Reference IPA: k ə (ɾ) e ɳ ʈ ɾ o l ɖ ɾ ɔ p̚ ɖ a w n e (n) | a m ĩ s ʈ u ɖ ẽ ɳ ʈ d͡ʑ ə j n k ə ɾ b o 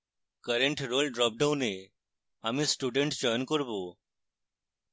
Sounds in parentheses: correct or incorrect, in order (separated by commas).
correct, incorrect